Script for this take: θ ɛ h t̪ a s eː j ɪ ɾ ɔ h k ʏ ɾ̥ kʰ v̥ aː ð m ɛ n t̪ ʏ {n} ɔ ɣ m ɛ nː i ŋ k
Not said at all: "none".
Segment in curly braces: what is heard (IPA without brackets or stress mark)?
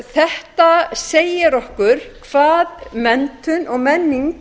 n